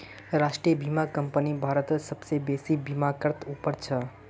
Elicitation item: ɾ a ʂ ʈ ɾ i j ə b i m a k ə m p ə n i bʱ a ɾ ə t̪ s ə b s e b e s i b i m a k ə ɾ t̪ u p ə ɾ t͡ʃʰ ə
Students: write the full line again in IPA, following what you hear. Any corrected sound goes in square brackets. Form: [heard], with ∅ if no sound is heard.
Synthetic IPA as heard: ɾ a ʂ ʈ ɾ i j ə b i m a k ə m p ə n i bʱ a ɾ ə t̪ s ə b s e b e s i b i m a k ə ɾ t̪ u p ə ɾ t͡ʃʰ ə

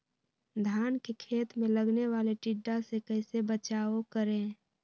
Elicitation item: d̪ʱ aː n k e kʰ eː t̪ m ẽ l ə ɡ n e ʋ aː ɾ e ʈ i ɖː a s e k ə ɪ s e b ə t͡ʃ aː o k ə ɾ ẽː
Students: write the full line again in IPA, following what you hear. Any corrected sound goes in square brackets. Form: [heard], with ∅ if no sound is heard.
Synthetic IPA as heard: d̪ʱ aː n k e kʰ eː t̪ m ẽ l ə ɡ n e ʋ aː [l] e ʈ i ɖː a s e k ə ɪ s e b ə t͡ʃ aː o k ə ɾ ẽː

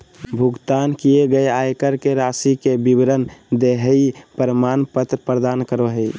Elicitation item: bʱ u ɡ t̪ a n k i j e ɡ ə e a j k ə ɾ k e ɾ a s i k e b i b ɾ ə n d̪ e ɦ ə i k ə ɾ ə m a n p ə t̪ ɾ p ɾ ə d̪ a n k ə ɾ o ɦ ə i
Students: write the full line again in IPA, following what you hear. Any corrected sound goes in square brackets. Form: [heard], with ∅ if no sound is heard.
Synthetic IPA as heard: bʱ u ɡ t̪ a n k i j e ɡ ə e a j k ə ɾ k e ɾ a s i k e b i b ɾ ə n d̪ e ɦ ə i [p] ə ɾ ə m a n p ə t̪ ɾ p ɾ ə d̪ a n k ə ɾ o ɦ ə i

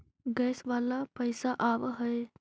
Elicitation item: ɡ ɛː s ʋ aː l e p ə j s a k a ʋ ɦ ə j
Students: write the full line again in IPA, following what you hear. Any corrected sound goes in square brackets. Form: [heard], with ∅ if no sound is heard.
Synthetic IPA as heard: ɡ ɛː s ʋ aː l [a] p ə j s a [ʔ] a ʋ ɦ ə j

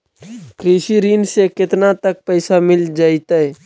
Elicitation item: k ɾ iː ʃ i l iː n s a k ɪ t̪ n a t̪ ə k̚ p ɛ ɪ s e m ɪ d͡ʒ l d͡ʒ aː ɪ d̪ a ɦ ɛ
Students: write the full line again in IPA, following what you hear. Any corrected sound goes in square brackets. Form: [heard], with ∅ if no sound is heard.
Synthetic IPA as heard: k ɾ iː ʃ i [ɾ] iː n s [e] k ɪ t̪ n a t̪ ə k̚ p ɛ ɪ s [a] m ɪ [∅] l d͡ʒ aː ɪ [t̪] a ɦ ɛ

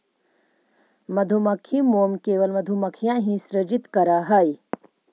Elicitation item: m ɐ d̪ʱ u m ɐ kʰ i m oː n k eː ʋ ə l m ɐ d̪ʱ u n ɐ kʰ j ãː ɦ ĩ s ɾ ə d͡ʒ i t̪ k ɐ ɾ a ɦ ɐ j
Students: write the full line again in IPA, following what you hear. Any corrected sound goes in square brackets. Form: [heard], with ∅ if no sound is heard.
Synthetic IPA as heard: m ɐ d̪ʱ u m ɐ kʰ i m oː [m] k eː ʋ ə l m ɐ d̪ʱ u [m] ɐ kʰ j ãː ɦ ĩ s ɾ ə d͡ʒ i t̪ k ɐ ɾ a ɦ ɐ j

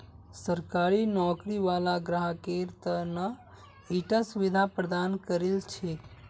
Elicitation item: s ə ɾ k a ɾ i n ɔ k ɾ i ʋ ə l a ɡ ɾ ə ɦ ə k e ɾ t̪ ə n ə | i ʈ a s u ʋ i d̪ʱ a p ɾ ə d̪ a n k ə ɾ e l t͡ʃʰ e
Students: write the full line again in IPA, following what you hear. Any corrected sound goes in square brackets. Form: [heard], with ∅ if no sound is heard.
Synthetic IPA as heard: s ə ɾ k a ɾ i n ɔ k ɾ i ʋ [a] l a ɡ ɾ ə ɦ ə k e ɾ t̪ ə n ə | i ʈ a s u ʋ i d̪ʱ a p ɾ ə d̪ a n k ə ɾ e l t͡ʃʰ e

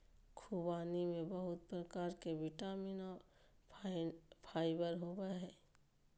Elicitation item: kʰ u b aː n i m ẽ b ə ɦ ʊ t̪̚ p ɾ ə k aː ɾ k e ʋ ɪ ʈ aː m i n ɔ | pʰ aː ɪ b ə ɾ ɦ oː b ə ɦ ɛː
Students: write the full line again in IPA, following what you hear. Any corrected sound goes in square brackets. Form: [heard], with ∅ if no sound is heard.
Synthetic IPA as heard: kʰ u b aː n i m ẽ b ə ɦ ʊ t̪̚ p ɾ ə k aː ɾ k e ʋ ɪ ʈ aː m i n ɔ | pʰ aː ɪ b ə ɾ ɦ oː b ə ɦ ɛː

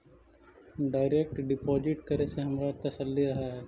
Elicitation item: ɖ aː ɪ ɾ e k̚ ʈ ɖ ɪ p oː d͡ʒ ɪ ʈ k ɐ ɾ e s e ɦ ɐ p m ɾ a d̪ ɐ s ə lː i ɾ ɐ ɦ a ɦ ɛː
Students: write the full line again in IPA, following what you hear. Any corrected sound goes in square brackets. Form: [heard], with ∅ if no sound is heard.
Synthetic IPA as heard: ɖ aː ɪ ɾ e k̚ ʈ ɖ ɪ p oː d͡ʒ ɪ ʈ k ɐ ɾ e s e ɦ ɐ [∅] m ɾ a [t̪] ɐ s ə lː i ɾ ɐ ɦ a ɦ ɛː

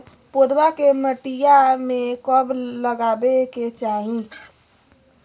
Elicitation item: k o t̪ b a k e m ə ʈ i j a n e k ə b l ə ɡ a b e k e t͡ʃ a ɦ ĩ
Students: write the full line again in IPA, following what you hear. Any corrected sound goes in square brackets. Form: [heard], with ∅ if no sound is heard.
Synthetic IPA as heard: [p] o [d̪] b a k e m ə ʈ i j a [m] e k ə b l ə ɡ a b e k e t͡ʃ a ɦ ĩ

